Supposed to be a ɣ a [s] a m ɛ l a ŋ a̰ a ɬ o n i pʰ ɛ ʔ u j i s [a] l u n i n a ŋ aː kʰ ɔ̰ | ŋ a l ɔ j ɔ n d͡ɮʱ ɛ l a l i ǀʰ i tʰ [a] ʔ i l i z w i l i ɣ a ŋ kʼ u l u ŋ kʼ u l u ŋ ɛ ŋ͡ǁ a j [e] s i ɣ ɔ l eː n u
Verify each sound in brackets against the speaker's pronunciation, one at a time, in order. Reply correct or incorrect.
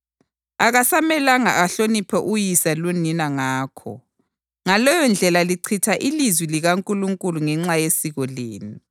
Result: correct, correct, correct, correct

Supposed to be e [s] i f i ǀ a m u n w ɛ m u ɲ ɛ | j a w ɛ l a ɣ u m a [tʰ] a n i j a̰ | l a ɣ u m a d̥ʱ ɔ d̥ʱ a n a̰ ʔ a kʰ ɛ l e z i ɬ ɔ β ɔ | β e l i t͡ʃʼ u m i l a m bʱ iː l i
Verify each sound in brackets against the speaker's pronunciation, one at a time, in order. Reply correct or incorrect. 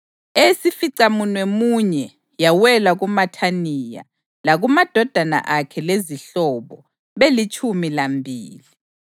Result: correct, correct

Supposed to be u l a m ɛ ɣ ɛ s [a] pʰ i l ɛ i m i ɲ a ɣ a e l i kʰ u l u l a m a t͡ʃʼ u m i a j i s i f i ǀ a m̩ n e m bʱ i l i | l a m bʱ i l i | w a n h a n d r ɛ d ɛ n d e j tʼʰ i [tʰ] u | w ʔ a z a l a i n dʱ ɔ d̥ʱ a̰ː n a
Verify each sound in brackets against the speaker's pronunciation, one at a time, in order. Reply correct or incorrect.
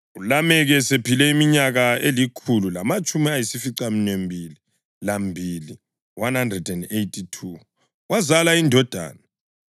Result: incorrect, correct

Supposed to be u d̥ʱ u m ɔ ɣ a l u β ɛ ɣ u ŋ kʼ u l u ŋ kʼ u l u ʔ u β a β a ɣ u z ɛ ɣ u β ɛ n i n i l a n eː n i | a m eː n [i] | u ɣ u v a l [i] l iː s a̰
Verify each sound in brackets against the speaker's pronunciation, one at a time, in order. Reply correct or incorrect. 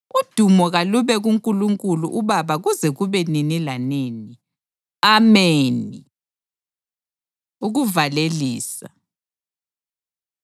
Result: correct, incorrect

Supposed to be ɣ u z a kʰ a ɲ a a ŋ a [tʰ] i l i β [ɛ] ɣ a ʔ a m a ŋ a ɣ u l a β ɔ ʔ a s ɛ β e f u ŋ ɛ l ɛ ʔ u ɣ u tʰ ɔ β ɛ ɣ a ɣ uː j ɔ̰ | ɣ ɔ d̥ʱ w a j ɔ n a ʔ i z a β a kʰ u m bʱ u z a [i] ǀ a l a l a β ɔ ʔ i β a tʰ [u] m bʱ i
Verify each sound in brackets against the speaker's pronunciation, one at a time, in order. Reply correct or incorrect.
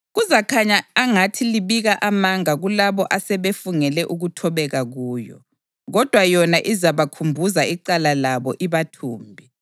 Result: correct, incorrect, correct, incorrect

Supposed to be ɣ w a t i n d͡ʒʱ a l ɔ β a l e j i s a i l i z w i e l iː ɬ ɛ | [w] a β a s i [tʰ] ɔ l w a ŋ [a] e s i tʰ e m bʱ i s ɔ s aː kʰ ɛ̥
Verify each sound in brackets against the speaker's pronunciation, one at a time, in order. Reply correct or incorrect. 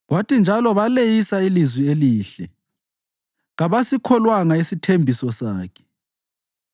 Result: incorrect, incorrect, correct

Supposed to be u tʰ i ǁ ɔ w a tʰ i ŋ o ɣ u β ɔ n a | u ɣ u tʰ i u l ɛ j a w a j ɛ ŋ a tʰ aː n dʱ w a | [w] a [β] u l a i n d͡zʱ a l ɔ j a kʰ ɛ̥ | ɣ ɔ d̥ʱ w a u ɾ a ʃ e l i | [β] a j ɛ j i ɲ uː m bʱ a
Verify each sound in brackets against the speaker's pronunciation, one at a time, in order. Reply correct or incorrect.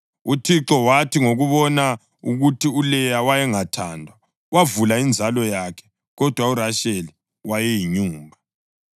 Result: correct, incorrect, incorrect

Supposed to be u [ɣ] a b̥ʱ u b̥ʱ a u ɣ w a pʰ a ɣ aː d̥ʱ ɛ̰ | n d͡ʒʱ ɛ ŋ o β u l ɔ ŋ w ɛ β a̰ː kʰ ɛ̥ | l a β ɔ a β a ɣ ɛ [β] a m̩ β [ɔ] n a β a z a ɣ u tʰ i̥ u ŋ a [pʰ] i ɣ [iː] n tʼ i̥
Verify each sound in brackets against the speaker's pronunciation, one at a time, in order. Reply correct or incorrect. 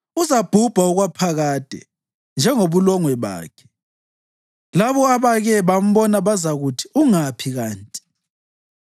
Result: incorrect, correct, correct, correct, incorrect

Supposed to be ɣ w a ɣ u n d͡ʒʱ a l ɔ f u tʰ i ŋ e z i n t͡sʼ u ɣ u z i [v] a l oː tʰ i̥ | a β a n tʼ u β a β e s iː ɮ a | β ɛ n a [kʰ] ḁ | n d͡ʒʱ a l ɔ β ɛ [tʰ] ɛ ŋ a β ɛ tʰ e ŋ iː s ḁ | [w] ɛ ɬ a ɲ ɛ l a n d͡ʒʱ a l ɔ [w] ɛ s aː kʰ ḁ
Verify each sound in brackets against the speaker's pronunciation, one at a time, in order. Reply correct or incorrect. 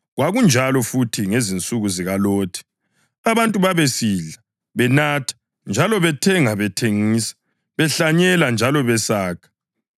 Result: incorrect, incorrect, correct, incorrect, incorrect

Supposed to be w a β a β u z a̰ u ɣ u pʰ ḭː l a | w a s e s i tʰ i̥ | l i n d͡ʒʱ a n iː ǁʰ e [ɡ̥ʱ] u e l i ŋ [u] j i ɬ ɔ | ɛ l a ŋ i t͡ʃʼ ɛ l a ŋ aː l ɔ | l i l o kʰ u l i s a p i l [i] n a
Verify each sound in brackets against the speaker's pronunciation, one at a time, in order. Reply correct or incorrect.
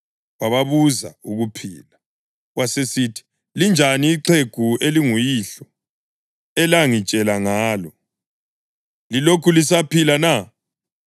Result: correct, correct, incorrect

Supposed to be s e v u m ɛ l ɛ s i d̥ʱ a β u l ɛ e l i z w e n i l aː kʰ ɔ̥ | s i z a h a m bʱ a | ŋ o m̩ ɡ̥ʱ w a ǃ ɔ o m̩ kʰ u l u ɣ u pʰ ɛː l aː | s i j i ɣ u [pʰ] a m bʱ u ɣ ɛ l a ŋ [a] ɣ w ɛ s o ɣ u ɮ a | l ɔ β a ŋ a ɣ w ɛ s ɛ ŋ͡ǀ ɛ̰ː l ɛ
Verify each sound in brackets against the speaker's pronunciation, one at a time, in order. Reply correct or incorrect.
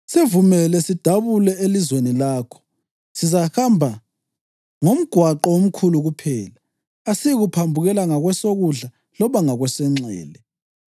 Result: correct, correct

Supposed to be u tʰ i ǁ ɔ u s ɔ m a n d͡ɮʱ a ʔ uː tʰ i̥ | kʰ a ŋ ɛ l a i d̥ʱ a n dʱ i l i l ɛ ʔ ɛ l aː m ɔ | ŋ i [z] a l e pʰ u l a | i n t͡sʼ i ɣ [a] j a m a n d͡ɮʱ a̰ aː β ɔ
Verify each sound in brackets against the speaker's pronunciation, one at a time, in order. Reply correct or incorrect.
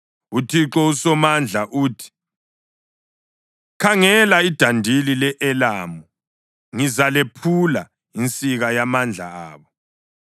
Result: correct, correct

